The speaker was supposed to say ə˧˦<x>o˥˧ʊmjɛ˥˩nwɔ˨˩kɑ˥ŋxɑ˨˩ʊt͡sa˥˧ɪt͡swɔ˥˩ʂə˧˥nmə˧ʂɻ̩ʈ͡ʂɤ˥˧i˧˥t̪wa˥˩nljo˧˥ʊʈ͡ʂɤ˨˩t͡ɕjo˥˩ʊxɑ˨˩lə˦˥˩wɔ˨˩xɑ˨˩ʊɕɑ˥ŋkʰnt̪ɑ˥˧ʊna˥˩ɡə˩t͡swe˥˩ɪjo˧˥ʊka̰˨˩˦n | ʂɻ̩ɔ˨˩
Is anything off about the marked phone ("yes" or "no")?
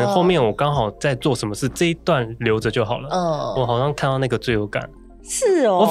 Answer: no